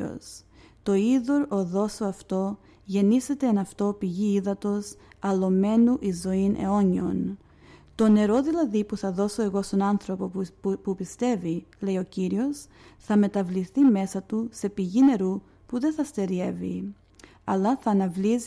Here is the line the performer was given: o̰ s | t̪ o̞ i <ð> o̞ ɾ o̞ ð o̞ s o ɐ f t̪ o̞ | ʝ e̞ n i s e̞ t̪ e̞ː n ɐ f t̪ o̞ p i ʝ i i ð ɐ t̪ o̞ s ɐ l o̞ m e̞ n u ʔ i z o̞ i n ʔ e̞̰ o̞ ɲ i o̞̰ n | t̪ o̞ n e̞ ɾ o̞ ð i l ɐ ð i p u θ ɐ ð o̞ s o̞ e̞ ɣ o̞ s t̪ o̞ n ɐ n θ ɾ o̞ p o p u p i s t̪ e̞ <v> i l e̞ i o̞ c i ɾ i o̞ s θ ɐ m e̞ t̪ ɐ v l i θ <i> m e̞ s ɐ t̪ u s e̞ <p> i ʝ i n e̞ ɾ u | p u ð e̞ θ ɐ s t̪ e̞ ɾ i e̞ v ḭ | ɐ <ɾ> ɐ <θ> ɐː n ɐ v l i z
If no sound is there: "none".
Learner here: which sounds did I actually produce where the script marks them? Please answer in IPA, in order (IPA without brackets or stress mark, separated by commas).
ð, v, i, p, l, θ